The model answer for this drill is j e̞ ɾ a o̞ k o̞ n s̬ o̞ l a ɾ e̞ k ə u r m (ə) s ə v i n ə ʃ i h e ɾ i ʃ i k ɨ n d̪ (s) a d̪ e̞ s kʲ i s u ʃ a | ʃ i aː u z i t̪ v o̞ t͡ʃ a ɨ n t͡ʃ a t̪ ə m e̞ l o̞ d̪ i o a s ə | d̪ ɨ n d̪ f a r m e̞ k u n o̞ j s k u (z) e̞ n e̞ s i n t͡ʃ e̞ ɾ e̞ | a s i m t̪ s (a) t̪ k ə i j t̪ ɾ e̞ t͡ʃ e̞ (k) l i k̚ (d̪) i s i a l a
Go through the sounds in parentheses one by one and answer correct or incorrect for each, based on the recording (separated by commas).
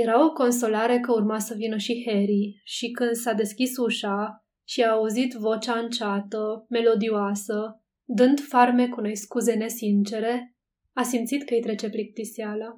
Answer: incorrect, correct, correct, incorrect, incorrect, incorrect